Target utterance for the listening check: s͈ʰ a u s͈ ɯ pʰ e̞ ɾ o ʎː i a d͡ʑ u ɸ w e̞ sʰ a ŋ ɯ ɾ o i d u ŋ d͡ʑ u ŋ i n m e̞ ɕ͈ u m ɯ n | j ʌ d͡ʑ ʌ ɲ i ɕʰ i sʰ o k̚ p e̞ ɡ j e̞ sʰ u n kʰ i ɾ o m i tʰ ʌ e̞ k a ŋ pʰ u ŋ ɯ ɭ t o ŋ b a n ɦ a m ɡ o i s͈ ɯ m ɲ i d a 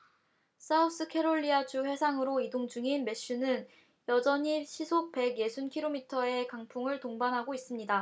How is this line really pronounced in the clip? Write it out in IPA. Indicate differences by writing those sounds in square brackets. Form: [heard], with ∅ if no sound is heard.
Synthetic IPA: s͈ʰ a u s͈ ɯ [kʰ] e̞ ɾ o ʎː i a d͡ʑ u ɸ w e̞ sʰ a ŋ ɯ ɾ o i d [o] ŋ d͡ʑ u ŋ i n m e̞ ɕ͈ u [n] ɯ n | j ʌ d͡ʑ ʌ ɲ i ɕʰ i sʰ o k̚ p e̞ ɡ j e̞ sʰ u n kʰ i ɾ o m i tʰ ʌ e̞ k a ŋ pʰ u ŋ ɯ ɭ t o ŋ b a n ɦ a [∅] ɡ o i s͈ ɯ m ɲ i d a